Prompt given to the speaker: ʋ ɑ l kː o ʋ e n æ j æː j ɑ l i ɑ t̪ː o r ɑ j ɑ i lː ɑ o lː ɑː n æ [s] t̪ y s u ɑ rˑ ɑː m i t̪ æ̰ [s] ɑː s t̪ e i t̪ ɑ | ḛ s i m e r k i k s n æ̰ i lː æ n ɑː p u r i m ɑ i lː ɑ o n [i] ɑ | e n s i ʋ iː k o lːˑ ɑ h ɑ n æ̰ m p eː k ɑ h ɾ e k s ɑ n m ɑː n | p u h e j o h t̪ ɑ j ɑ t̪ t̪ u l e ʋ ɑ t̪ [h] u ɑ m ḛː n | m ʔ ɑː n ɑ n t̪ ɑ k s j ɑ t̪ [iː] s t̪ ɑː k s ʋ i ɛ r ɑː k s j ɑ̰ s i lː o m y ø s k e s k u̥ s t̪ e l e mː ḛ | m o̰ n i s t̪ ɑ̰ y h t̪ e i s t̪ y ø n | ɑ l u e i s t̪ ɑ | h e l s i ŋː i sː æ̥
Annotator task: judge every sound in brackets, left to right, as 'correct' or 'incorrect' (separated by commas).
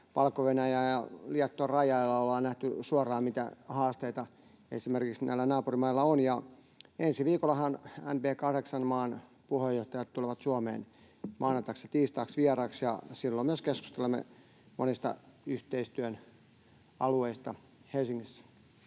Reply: incorrect, incorrect, incorrect, incorrect, correct